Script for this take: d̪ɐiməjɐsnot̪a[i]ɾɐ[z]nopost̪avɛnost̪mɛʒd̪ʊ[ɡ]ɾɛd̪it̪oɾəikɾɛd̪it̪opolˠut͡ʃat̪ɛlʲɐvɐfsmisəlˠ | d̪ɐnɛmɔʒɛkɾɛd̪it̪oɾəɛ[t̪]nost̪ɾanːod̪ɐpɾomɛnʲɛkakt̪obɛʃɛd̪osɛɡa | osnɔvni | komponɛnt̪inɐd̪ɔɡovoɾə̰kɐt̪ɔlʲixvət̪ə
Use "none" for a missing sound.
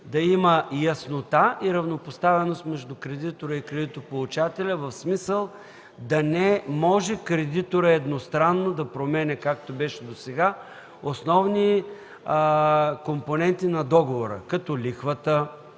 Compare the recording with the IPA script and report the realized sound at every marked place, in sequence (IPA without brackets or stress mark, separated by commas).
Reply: i, v, k, d̪